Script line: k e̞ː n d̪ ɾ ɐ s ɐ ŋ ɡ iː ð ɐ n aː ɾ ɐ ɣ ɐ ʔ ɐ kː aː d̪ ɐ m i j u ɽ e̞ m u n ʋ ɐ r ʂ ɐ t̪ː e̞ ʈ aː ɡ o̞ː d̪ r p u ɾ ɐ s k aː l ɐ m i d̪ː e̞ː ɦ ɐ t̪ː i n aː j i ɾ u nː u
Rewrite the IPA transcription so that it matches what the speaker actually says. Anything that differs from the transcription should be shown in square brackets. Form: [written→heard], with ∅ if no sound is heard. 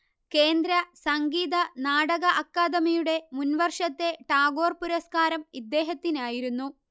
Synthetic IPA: k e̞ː n d̪ ɾ ɐ s ɐ ŋ ɡ iː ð ɐ n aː [ɾ→ɽ] ɐ ɣ ɐ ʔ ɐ kː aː d̪ ɐ m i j u ɽ e̞ m u n ʋ ɐ r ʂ ɐ t̪ː e̞ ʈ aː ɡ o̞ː [d̪→∅] r p u ɾ ɐ s k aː [l→ɾ] ɐ m i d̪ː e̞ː ɦ ɐ t̪ː i n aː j i ɾ u nː u